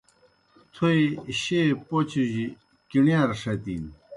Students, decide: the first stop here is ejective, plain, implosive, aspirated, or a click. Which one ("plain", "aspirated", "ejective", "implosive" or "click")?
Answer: aspirated